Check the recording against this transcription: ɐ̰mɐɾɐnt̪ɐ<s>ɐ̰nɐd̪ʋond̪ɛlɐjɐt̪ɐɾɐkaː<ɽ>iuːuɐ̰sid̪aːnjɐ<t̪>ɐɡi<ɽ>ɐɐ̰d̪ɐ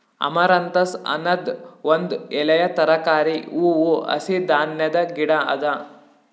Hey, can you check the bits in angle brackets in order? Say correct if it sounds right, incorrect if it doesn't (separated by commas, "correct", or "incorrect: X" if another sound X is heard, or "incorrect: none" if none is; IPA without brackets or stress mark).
correct, incorrect: ɾ, incorrect: d̪, correct